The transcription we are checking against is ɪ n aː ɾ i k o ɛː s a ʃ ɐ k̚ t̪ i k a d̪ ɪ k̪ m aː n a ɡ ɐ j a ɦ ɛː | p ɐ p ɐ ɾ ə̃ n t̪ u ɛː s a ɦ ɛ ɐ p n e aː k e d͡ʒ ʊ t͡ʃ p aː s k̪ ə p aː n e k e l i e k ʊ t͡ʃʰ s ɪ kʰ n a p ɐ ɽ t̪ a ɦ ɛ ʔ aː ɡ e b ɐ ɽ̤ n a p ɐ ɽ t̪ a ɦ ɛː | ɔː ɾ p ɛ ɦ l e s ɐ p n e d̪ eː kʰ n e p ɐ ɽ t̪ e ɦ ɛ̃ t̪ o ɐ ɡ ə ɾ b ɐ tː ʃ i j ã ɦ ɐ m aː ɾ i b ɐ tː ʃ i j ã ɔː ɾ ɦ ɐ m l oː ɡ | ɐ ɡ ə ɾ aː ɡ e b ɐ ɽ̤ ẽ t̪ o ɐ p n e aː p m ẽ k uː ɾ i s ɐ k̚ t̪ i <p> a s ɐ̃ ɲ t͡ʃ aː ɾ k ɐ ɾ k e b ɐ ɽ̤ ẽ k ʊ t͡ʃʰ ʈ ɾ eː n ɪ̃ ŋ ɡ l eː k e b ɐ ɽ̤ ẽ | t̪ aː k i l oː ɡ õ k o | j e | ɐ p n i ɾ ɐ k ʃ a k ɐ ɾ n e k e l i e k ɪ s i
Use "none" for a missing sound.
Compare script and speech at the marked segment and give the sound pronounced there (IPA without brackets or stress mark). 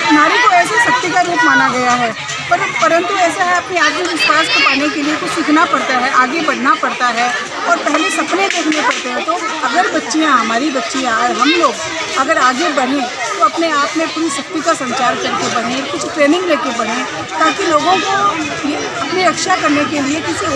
k